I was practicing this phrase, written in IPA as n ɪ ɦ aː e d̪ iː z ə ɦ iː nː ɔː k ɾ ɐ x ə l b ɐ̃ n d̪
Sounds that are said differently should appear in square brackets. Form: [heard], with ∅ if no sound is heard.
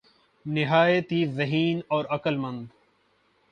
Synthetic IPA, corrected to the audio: n ɪ ɦ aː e [t̪] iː z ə ɦ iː [n] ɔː [∅] ɾ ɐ [k] ə l [m] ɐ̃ n d̪